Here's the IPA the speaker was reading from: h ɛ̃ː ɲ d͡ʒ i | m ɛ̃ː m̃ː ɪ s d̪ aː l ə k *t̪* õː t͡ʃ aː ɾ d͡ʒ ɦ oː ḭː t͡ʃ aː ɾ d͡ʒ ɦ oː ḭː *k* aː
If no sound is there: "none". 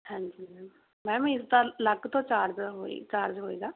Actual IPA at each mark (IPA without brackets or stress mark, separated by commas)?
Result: t̪, ɡ